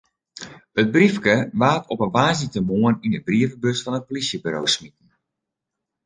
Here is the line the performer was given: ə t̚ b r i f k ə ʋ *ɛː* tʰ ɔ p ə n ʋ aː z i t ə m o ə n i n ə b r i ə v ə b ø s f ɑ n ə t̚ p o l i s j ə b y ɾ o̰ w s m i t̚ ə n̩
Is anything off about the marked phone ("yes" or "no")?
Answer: yes